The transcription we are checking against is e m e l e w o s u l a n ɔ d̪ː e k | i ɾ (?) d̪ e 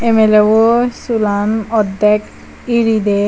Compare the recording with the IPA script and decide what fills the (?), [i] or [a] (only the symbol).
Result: i